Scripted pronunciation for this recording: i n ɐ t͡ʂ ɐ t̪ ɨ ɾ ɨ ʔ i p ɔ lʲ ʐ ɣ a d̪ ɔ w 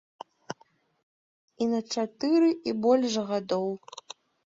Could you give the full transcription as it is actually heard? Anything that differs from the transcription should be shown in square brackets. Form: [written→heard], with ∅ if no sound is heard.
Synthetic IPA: i n ɐ t͡ʂ [ɐ→a] t̪ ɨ ɾ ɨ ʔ i [p→b] ɔ lʲ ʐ ɣ a d̪ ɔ w